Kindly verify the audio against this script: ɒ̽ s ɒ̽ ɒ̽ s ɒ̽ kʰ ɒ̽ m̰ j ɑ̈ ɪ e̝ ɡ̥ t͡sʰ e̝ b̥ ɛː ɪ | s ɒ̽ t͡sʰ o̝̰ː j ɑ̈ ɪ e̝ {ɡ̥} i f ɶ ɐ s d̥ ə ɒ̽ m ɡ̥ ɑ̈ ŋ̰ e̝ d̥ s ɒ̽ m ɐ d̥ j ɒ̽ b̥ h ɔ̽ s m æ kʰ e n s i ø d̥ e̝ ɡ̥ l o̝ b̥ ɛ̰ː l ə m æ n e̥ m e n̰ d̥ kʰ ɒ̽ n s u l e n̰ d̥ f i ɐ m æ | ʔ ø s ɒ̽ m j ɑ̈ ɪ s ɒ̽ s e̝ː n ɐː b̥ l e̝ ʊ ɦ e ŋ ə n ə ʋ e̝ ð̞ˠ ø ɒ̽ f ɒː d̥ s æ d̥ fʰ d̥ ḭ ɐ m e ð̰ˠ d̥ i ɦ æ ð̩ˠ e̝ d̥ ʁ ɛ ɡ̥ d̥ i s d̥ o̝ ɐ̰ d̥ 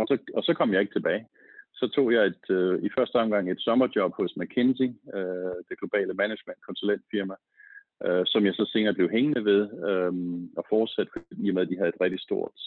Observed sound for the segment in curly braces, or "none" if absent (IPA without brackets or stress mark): d̥